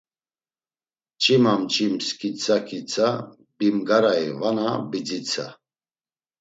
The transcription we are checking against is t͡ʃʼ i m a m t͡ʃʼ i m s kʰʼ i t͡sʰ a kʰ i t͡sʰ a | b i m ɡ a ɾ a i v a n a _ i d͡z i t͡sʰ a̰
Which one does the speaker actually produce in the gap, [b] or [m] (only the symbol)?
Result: b